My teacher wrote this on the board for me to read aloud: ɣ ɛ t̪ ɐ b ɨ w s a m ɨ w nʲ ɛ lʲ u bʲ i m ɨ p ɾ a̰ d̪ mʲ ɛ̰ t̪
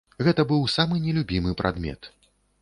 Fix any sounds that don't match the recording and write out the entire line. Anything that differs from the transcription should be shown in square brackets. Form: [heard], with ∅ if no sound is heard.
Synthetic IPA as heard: ɣ ɛ t̪ ɐ b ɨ w s a m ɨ [∅] nʲ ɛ lʲ u bʲ i m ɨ p ɾ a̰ d̪ mʲ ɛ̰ t̪